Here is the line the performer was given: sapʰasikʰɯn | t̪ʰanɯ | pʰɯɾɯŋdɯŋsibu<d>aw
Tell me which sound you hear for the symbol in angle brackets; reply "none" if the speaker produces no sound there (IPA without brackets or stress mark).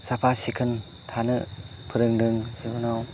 n